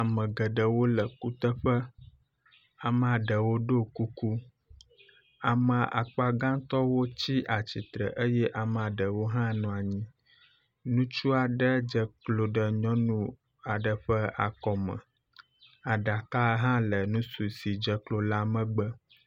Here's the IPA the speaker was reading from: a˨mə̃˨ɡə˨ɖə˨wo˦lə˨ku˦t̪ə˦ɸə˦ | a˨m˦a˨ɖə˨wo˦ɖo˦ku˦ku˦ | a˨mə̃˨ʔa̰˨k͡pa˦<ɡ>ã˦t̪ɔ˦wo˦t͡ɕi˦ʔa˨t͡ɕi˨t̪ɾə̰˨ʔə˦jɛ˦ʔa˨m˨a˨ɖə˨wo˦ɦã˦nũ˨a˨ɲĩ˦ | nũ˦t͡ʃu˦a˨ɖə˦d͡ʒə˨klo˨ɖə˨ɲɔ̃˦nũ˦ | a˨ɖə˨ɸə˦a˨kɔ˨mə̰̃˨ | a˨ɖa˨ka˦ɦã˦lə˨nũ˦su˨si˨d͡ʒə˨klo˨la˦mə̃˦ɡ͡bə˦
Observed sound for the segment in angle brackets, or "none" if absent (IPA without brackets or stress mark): ɡ